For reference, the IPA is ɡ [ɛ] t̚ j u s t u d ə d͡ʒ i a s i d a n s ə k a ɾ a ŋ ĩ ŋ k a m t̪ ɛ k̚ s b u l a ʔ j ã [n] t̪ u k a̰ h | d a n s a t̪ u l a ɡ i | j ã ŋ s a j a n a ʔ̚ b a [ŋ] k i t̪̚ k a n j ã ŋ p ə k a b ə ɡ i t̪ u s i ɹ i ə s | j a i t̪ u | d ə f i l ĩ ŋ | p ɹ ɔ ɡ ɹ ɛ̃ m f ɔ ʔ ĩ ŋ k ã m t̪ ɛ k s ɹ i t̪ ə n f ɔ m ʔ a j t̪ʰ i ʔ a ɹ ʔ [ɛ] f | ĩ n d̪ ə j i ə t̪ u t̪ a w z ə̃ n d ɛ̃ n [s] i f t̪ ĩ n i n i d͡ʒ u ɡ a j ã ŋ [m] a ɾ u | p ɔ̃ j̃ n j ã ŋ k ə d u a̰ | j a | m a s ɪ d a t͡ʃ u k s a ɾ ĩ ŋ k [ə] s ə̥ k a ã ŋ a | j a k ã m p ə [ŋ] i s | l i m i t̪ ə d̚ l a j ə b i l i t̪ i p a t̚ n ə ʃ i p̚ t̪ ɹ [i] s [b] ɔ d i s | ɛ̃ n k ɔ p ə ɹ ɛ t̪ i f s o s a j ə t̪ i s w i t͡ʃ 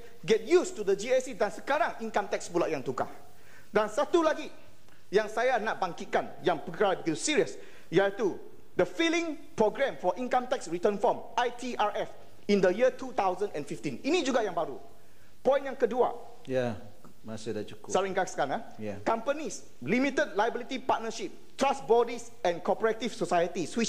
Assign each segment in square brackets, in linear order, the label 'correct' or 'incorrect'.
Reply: correct, incorrect: ŋ, correct, correct, incorrect: f, incorrect: b, incorrect: a, incorrect: n, incorrect: a, correct

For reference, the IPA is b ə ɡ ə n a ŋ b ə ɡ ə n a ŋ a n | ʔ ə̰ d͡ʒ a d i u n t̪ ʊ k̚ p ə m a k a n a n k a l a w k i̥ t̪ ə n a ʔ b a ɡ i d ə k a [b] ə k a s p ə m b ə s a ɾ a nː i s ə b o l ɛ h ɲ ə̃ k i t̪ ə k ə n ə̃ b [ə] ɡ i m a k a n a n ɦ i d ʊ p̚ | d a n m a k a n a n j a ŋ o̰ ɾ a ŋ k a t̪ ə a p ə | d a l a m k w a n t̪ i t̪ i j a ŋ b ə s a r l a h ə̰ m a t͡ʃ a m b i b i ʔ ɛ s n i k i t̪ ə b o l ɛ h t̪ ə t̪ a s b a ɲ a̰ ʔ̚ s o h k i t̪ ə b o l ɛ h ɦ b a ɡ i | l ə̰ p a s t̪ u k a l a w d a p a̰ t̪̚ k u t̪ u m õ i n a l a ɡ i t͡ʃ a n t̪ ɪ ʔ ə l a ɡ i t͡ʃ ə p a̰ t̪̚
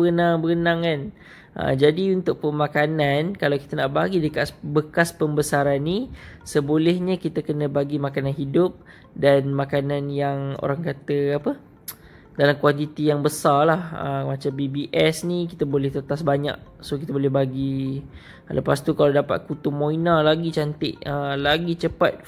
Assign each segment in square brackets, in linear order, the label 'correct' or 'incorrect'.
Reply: correct, incorrect: a

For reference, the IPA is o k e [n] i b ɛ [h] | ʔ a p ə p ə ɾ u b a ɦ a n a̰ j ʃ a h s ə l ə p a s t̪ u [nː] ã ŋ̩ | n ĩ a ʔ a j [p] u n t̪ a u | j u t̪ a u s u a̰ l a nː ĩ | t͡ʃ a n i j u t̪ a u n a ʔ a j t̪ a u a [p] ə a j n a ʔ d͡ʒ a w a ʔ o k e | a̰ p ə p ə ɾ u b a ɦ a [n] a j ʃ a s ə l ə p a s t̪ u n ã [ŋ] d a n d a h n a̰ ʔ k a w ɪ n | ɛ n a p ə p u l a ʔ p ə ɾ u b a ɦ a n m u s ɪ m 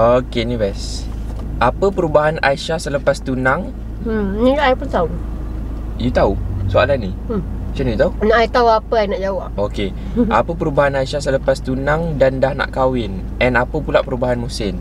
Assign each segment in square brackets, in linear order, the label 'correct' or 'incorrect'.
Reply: correct, incorrect: s, incorrect: n, correct, correct, correct, correct

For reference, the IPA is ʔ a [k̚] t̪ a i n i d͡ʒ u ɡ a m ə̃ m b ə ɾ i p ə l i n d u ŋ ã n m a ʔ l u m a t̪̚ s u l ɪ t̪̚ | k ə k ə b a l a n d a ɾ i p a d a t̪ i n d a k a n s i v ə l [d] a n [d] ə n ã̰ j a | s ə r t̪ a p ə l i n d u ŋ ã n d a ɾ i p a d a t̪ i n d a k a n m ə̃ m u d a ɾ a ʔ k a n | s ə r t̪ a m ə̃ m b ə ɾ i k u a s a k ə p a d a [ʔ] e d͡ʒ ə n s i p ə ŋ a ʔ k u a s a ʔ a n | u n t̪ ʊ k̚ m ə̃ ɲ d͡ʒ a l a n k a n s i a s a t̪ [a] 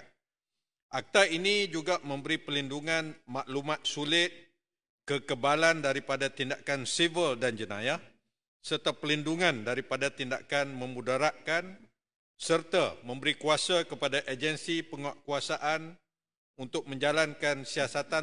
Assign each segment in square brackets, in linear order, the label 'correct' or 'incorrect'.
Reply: correct, correct, incorrect: d͡ʒ, correct, correct

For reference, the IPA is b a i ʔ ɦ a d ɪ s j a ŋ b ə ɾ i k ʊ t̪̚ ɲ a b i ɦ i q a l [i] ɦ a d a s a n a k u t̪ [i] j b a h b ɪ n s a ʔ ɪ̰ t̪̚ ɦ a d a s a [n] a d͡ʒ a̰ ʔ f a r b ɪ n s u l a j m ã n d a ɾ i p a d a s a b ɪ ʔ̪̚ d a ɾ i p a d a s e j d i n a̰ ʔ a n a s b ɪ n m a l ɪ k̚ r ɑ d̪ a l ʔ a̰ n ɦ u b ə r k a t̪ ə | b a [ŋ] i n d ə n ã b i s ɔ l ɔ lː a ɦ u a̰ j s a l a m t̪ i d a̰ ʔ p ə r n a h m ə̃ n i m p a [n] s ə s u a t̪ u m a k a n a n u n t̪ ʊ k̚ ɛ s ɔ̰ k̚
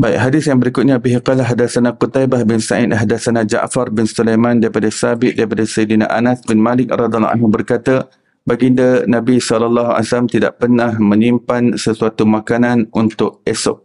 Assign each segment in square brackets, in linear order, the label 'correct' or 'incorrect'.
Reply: incorrect: a, incorrect: a, correct, incorrect: ɡ, correct

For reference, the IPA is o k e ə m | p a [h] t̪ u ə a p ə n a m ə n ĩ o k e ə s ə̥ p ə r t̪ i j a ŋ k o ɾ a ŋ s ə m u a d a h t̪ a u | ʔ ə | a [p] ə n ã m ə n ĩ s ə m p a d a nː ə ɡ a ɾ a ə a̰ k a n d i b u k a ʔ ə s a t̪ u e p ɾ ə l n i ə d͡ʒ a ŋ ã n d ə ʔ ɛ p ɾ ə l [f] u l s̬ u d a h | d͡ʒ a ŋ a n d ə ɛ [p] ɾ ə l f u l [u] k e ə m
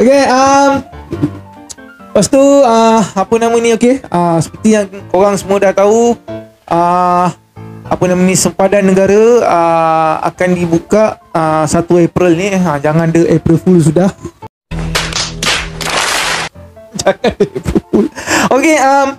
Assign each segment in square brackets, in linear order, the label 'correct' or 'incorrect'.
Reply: incorrect: s, correct, correct, correct, incorrect: o

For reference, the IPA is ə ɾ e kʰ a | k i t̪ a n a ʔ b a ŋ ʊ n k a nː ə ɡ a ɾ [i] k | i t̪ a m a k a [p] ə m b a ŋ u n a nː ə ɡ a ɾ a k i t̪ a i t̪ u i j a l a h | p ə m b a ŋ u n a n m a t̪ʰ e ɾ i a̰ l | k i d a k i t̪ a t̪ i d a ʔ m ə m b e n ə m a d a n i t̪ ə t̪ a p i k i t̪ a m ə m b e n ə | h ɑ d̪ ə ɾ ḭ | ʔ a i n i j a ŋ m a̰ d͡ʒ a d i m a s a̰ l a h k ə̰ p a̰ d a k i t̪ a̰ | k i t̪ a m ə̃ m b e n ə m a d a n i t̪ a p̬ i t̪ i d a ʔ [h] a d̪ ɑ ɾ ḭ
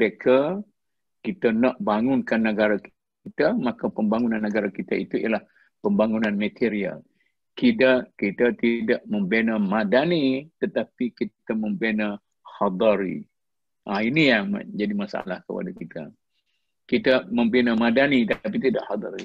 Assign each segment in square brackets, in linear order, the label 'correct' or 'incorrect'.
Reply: incorrect: a, correct, correct

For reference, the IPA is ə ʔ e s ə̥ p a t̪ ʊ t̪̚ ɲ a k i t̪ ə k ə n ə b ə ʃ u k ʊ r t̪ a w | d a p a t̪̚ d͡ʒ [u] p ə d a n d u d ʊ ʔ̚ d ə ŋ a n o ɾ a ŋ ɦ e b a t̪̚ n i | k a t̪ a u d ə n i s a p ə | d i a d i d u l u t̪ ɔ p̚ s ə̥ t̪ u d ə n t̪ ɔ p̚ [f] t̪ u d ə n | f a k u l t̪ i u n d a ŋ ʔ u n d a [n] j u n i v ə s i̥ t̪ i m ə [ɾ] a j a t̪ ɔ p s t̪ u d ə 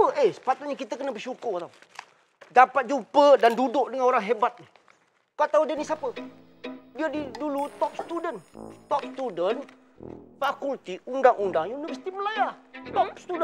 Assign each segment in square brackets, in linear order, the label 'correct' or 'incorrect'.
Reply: correct, incorrect: s, incorrect: ŋ, incorrect: l

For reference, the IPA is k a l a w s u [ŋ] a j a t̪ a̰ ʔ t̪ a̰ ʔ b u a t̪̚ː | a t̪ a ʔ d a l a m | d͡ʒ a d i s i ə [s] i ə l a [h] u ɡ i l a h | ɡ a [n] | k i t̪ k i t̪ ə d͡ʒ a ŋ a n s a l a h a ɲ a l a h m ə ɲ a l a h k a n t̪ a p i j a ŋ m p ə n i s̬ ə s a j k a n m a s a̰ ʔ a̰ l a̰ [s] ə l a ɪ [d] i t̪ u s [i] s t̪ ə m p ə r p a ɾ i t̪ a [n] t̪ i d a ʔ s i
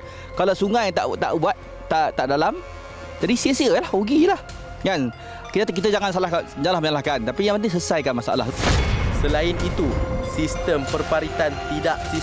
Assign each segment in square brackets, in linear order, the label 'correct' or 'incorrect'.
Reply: correct, correct, correct, correct, correct, incorrect: n, correct, correct

